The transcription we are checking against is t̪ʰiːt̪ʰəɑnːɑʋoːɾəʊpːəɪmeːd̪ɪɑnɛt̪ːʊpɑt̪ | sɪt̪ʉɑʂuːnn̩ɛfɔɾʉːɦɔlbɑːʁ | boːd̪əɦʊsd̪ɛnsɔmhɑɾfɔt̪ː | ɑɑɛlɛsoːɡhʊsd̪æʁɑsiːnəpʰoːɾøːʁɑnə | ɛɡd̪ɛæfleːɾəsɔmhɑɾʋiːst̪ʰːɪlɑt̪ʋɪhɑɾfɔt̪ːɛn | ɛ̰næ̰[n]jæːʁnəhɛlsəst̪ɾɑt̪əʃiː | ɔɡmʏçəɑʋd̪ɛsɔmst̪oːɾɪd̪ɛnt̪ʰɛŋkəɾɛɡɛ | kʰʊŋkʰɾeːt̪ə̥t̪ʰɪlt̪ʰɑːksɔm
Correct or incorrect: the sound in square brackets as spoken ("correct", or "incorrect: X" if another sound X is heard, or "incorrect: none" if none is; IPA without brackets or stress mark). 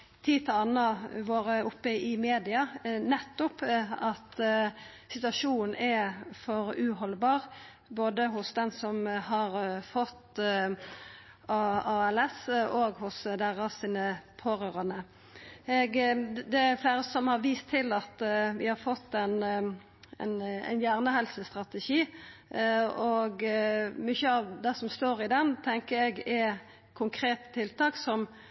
correct